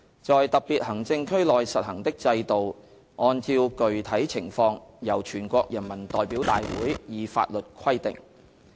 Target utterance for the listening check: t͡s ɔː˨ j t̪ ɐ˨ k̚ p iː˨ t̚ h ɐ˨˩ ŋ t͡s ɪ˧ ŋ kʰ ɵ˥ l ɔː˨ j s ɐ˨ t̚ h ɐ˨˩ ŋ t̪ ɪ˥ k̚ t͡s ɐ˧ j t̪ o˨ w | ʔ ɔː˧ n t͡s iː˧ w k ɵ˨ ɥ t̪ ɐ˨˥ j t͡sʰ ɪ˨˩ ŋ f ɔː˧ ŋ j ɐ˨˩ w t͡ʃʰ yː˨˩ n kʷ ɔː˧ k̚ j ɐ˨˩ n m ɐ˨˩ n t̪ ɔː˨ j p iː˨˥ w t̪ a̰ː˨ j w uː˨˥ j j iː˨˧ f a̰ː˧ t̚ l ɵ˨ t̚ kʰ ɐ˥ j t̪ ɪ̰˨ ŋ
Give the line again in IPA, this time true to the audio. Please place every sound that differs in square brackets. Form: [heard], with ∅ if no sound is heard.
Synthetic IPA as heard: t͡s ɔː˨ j t̪ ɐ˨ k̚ p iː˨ t̚ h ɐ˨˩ ŋ t͡s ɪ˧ ŋ kʰ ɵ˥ l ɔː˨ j s ɐ˨ t̚ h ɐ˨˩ ŋ t̪ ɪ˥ k̚ t͡s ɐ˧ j t̪ o˨ w | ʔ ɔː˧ n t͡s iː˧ w k ɵ˨ ɥ [t̪ʰ] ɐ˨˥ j t͡sʰ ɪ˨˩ ŋ f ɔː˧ ŋ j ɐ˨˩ w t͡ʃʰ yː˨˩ n kʷ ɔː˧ k̚ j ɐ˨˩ n m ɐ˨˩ n t̪ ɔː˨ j p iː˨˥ w t̪ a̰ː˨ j w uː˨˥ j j iː˨˧ f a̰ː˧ t̚ l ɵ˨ t̚ kʰ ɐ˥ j t̪ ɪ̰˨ ŋ